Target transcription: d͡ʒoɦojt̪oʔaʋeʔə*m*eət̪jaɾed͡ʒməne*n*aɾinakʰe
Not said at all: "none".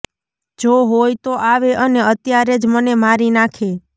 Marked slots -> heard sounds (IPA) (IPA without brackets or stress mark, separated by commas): n, m